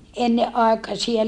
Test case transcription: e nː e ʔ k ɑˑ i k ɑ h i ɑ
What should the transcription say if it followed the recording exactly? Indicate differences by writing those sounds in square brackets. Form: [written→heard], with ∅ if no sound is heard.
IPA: e nː e ʔ [k→ʔ] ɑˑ [i→e] k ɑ [h→s] i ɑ